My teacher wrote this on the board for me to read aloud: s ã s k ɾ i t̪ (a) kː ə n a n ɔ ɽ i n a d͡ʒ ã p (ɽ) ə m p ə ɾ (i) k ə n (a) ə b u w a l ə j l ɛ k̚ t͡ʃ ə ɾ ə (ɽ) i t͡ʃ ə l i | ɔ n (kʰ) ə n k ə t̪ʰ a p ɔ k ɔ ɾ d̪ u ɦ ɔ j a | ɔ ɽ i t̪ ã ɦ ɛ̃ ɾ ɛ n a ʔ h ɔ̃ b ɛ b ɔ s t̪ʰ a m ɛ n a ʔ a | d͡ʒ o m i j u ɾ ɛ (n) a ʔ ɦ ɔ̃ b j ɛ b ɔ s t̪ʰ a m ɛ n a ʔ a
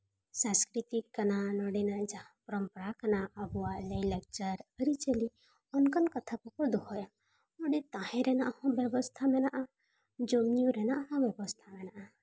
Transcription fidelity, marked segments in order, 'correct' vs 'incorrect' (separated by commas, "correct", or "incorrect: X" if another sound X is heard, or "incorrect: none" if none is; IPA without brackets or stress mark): incorrect: i, incorrect: ɾ, incorrect: a, correct, incorrect: ɾ, incorrect: k, correct